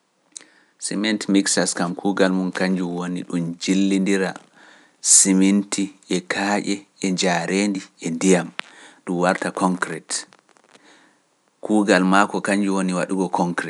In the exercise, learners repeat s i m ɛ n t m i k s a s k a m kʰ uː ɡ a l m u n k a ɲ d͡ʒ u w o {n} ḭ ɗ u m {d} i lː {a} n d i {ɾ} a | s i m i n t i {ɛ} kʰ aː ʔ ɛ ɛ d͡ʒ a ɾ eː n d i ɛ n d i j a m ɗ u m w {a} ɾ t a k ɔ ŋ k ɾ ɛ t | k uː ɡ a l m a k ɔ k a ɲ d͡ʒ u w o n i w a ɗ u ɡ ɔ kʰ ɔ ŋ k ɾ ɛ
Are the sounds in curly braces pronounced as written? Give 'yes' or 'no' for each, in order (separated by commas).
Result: yes, no, no, yes, yes, yes